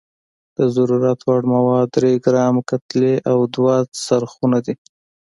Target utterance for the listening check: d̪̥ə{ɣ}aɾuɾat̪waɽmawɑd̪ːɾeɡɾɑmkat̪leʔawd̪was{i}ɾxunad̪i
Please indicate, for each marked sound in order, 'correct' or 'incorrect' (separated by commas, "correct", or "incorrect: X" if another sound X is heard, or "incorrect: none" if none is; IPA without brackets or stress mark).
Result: incorrect: z, incorrect: a